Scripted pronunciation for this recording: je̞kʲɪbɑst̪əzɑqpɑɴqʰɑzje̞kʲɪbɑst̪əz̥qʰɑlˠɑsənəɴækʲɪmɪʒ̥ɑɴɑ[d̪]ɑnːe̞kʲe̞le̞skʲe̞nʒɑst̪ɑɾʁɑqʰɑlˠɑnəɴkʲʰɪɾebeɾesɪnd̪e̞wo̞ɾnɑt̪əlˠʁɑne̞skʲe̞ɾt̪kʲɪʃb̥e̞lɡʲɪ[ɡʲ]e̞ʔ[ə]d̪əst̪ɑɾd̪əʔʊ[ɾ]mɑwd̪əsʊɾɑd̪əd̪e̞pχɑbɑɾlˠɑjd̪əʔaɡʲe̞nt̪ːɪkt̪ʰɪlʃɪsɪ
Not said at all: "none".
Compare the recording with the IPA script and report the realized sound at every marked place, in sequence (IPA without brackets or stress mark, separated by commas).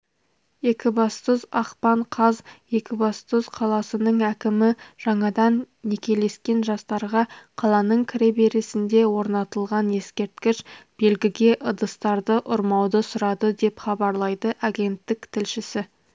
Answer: d̪, ɡʲ, ə, ɾ